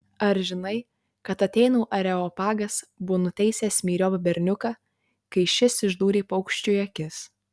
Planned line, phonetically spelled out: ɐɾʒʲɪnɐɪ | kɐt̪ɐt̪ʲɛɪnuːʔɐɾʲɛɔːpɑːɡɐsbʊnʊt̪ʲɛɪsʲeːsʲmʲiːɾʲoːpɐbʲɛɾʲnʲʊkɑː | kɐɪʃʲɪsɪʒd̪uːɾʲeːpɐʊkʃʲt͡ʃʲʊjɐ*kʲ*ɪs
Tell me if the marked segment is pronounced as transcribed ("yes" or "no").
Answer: yes